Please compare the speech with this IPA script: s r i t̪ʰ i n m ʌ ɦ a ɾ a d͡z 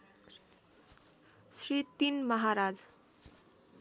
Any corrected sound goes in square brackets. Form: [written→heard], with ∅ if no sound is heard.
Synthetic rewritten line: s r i [t̪ʰ→t̪] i n m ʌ ɦ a ɾ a d͡z